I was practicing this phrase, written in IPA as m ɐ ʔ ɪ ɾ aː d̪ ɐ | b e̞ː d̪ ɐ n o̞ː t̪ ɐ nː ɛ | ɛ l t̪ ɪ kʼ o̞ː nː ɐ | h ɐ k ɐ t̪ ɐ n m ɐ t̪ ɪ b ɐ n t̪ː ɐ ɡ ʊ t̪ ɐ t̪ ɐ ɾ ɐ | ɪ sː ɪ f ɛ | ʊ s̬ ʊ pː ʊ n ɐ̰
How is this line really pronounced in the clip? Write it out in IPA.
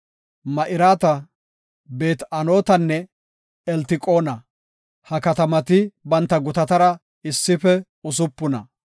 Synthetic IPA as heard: m ɐ ʔ ɪ ɾ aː t̪ ɐ | b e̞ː t̪ ɐ n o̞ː t̪ ɐ nː ɛ | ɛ l t̪ ɪ kʼ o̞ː n ɐ | h ɐ k ɐ t̪ ɐ m ɐ t̪ ɪ b ɐ n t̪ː ɐ ɡ ʊ t̪ ɐ t̪ ɐ ɾ ɐ | ɪ sː ɪ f ɛ | ʊ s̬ ʊ pː ʊ n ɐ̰

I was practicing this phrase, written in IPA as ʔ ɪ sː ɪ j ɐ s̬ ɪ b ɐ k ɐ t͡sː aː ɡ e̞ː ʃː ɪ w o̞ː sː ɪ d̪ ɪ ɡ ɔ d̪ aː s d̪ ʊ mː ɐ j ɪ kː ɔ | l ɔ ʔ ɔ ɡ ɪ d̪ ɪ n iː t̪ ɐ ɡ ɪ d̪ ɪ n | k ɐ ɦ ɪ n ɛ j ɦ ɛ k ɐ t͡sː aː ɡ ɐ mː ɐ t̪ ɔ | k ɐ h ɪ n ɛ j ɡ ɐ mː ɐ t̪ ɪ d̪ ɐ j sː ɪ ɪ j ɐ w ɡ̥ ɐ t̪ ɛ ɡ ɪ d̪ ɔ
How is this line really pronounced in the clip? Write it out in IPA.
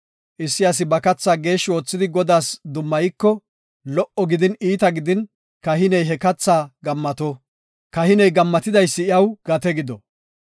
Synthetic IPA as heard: ʔ ɪ sː ɪ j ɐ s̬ ɪ b ɐ k ɐ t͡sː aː ɡ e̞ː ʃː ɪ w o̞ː t͡sː ɪ d̪ ɪ ɡ ɔ d̪ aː s d̪ ʊ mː ɐ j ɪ kː ɔ | l ɔ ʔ ɔ ɡ ɪ d̪ ɪ n iː t̪ ɐ ɡ ɪ d̪ ɪ n | k ɐ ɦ ɪ n ɛ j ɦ ɛ k ɐ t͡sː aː ɡ ɐ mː ɐ t̪ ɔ | k ɐ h ɪ n ɛ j ɡ ɐ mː ɐ t̪ ɪ d̪ ɐ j sː ɪ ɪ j ɐ w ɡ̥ ɐ t̪ ɛ ɡ ɪ d̪ ɔ

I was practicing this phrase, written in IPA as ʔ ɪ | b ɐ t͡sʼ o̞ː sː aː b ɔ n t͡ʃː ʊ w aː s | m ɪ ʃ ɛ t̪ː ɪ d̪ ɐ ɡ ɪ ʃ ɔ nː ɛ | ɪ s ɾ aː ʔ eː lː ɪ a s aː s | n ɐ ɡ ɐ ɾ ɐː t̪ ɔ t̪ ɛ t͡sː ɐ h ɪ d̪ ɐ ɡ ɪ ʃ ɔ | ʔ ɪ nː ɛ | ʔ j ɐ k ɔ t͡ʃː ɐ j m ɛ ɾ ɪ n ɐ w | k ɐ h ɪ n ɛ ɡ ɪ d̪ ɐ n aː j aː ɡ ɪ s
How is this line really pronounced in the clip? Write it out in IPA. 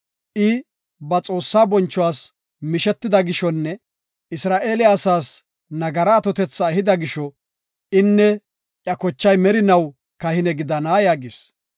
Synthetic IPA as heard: ʔ ɪ | b ɐ t͡sʼ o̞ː sː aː b ɔ n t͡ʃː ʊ w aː s | m ɪ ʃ ɛ t̪ː ɪ d̪ ɐ ɡ ɪ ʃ ɔ nː ɛ | ɪ s ɾ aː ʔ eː l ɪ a s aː s | n ɐ ɡ ɐ ɾ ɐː t̪ ɔ t̪ ɛ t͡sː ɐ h ɪ d̪ ɐ ɡ ɪ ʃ ɔ | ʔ ɪ nː ɛ | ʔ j ɐ k ɔ t͡ʃː ɐ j m ɛ ɾ ɪ n ɐ w | k ɐ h ɪ n ɛ ɡ ɪ d̪ ɐ n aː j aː ɡ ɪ s

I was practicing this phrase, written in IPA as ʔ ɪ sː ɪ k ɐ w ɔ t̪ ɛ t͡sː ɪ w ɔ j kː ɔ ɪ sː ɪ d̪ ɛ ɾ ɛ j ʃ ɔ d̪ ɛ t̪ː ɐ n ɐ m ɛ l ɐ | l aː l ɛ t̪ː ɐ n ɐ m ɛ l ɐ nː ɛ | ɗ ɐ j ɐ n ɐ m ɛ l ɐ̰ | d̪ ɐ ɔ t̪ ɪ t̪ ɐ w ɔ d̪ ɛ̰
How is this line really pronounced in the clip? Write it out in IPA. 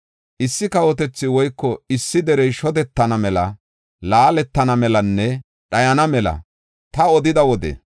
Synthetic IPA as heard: ʔ ɪ sː ɪ k ɐ w ɔ t̪ ɛ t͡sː ɪ w ɔ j kː ɔ ɪ sː ɪ d̪ ɛ ɾ ɛ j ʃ ɔ d̪ ɛ t̪ː ɐ n ɐ m ɛ l ɐ | l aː l ɛ t̪ː ɐ n ɐ m ɛ l ɐ nː ɛ | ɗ ɐ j ɐ n ɐ m ɛ l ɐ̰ | t̪ ɐ ɔ d̪ ɪ d̪ ɐ w ɔ d̪ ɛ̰

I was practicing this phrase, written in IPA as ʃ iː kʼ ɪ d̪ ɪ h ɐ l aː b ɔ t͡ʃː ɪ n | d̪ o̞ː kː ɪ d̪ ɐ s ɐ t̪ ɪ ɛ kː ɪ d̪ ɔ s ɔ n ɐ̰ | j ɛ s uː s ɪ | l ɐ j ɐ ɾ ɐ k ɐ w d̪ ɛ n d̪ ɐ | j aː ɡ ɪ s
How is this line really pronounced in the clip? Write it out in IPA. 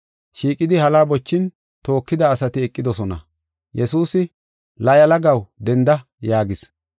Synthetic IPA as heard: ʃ iː kʼ ɪ d̪ ɪ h ɐ l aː b ɔ t͡ʃː ɪ n | t̪ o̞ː kː ɪ d̪ ɐː s ɐ t̪ ɪ ɛ kʼː ɪ d̪ ɔ s ɔ n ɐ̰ | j ɛ s uː s ɪ | l ɐ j ɐ l ɐ ɡ ɐ w d̪ ɛ n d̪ ɐ | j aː ɡ ɪ s

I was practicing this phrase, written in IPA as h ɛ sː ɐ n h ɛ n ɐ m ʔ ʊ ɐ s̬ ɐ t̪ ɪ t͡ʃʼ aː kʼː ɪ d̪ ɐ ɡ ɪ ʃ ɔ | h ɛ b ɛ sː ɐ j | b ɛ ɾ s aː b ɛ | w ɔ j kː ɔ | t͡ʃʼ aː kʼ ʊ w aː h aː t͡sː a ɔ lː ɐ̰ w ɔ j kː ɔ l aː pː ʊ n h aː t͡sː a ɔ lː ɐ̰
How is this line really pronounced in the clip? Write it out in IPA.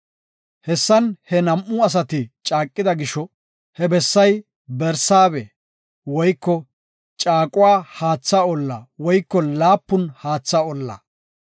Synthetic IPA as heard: h ɛ sː ɐ n h ɛ n ɐ m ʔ ʊ ɐ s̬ ɐ t̪ ɪ t͡ʃʼ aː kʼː ɪ d̪ ɐ ɡ ɪ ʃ ɔ | h ɛ b ɛ sː ɐ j | b ɛ ɾ s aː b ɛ | w ɔ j kː ɔ | t͡ʃʼ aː kʼ ʊ w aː h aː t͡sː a ɔ lː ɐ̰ w ɔ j kː ɔ l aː pː ʊ n h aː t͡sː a ɔ lː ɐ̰

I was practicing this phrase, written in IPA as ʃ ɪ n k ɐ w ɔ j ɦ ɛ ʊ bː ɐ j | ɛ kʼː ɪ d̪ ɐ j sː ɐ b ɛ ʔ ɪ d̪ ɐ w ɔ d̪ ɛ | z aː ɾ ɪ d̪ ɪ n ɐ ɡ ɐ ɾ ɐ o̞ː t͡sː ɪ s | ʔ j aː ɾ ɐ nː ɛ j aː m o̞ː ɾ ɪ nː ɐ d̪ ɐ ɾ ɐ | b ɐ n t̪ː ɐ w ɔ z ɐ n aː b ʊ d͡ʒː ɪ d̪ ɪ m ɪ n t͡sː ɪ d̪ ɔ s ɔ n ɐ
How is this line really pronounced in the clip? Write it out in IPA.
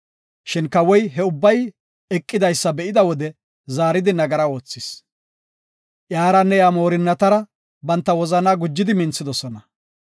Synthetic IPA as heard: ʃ ɪ n k ɐ w ɔ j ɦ ɛ ʊ bː ɐ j | ɛ kʼː ɪ d̪ ɐ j sː ɐ b ɛ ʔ ɪ d̪ ɐ w ɔ d̪ ɛ | z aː ɾ ɪ d̪ ɪ n ɐ ɡ ɐ ɾ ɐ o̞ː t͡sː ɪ s | ʔ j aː ɾ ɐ nː ɛ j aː m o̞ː ɾ ɪ nː ɐ t̪ ɐ ɾ ɐ | b ɐ n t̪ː ɐ w ɔ z ɐ n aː ɡ ʊ d͡ʒː ɪ d̪ ɪ m ɪ n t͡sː ɪ d̪ ɔ s ɔ n ɐ

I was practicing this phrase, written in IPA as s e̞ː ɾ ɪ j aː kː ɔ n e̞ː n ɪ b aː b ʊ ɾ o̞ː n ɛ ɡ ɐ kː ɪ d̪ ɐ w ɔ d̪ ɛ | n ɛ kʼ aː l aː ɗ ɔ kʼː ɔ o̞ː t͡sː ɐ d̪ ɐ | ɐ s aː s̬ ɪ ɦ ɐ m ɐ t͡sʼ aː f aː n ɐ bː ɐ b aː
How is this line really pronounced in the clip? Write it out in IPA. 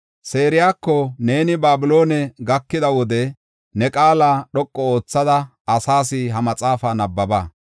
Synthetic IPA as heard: s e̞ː ɾ ɪ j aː kː ɔ n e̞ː n ɪ b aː b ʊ l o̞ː n ɛ ɡ ɐ kː ɪ d̪ ɐ w ɔ d̪ ɛ | n ɛ kʼ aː l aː ɗ ɔ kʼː ɔ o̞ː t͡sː ɐ d̪ ɐ | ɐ s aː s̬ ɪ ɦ ɐ m ɐ t͡sʼ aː f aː n ɐ bː ɐ b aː

